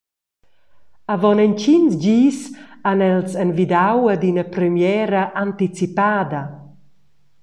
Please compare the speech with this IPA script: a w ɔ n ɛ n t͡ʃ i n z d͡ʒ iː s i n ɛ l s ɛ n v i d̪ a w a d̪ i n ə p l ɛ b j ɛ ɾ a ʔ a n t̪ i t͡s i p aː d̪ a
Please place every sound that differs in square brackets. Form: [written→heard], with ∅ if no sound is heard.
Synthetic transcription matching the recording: a [w→v] ɔ n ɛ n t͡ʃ i n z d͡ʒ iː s [i→a] n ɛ l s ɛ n v i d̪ a w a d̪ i n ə p [l→ɾ] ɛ [b→m] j ɛ ɾ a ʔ a n t̪ i t͡s i p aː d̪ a